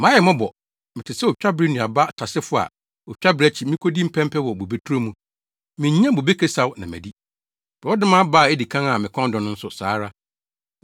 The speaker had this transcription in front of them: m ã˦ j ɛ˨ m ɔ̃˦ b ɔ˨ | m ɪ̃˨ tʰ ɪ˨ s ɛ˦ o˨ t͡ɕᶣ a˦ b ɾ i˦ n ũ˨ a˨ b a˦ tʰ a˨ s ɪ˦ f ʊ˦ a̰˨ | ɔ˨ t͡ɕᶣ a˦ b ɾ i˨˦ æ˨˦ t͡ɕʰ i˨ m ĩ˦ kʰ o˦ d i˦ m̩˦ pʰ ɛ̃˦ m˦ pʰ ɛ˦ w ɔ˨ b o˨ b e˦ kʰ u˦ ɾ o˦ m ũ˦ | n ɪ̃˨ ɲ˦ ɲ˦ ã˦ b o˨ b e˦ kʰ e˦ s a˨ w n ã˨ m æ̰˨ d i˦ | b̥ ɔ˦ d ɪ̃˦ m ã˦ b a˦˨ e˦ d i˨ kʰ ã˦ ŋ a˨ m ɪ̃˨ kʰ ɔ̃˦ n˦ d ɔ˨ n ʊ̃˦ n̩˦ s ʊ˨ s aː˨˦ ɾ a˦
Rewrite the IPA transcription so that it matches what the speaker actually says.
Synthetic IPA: m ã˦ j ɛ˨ m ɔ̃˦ b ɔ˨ | m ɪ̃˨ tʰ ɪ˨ s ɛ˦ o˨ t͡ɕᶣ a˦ b ɾ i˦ n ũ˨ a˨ b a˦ tʰ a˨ s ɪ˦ f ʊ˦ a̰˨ | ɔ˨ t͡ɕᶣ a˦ b ɾ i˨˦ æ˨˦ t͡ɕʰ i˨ m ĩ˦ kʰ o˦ d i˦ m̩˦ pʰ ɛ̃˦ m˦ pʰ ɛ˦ w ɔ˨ b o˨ b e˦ tʰ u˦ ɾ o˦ m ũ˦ | m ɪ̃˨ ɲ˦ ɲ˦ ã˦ b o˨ b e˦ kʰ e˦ s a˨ w n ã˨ m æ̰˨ d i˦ | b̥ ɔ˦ d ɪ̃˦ m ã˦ b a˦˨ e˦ d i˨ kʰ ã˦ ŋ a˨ m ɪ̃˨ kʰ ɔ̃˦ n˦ d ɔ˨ n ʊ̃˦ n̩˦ s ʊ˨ s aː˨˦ ɾ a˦